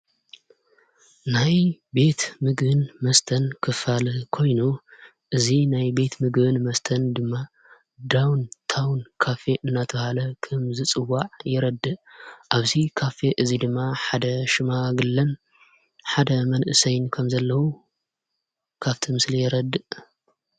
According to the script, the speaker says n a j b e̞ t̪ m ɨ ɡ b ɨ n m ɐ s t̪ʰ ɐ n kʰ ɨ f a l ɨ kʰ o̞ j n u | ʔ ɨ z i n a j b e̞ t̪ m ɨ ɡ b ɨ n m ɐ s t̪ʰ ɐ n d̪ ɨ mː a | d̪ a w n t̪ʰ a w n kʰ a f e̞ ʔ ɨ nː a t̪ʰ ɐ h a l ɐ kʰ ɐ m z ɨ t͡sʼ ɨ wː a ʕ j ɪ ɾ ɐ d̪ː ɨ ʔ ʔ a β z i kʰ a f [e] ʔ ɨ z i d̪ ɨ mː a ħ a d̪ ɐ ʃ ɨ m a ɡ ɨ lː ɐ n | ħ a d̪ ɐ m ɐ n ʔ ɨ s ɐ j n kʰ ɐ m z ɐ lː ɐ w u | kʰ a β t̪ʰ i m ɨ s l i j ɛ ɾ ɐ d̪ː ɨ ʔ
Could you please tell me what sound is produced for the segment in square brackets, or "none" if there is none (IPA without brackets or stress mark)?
e